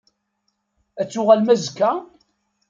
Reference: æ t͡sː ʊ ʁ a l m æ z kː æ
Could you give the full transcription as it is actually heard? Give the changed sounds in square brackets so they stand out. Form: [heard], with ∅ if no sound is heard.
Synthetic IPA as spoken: æ t͡sː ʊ ʁ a l m æ z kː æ